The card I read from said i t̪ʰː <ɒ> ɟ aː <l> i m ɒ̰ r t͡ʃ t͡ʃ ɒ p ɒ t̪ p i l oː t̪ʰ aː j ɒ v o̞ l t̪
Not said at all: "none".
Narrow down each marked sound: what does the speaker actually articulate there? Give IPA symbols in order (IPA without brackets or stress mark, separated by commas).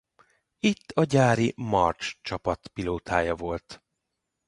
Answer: ɒ, ɾ